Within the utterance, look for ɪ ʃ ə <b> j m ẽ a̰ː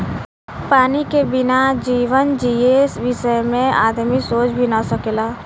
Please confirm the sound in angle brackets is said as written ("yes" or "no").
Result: no